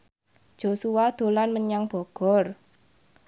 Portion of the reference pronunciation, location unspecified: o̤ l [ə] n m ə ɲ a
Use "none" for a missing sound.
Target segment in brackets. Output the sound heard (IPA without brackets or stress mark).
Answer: a